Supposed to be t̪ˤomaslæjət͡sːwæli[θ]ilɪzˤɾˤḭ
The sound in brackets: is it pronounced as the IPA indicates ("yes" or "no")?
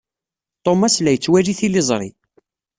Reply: yes